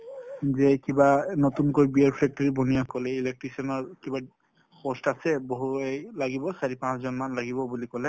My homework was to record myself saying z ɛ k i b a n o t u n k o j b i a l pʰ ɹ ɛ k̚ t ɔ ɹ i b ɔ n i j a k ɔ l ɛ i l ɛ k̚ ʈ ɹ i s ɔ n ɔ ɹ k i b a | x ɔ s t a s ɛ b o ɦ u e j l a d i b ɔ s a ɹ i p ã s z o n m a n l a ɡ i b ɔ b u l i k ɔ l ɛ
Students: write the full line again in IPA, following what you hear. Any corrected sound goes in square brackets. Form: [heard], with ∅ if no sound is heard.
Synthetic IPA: z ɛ k i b a n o t u n k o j b i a [ɹ] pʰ ɹ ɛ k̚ t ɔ ɹ i b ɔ n i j a k ɔ l ɛ i l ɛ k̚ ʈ ɹ i s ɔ n ɔ ɹ k i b a | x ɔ s t a s ɛ b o ɦ u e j l a [ɡ] i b ɔ s a ɹ i p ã s z [ɔ] n m a n l a ɡ i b ɔ b u l i k ɔ l ɛ